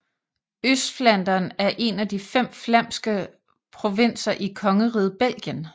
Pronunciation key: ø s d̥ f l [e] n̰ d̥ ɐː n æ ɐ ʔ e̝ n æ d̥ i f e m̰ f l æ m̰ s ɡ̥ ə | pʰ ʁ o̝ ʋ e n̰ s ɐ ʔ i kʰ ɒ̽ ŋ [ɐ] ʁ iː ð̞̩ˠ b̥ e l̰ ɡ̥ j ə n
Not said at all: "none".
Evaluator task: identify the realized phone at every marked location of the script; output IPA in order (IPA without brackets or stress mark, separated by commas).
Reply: æ, ə